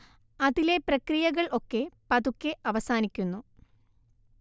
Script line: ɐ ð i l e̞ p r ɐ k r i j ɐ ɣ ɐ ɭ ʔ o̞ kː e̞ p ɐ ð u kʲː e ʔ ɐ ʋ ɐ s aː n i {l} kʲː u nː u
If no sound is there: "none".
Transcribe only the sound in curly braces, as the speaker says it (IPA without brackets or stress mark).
none